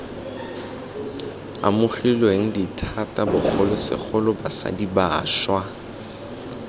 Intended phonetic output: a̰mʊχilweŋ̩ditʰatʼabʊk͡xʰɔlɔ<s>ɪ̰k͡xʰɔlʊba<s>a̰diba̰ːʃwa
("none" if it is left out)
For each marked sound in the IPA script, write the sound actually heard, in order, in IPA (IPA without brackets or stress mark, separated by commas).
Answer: s, s